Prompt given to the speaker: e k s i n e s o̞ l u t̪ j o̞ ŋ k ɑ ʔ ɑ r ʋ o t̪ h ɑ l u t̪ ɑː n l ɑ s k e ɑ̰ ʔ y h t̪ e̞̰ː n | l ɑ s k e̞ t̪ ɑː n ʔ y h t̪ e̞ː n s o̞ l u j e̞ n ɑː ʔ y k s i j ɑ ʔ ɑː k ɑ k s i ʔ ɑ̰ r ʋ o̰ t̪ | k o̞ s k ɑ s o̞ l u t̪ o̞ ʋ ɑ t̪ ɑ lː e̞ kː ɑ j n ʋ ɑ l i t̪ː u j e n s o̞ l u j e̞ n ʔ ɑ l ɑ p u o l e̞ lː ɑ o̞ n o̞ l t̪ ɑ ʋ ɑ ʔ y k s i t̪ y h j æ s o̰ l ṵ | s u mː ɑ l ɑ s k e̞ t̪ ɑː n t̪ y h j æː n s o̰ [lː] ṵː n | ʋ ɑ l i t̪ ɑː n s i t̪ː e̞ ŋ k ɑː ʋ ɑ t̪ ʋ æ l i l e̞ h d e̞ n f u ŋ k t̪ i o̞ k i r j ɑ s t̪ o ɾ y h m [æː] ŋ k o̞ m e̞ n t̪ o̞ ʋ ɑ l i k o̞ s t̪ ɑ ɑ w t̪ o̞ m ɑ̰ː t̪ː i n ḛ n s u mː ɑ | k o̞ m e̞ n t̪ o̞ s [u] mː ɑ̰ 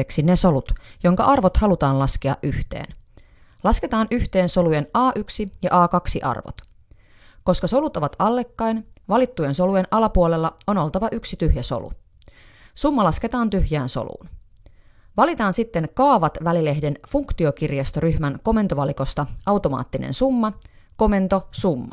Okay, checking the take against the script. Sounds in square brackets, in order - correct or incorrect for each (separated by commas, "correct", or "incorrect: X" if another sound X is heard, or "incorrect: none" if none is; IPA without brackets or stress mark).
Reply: incorrect: l, incorrect: æ, correct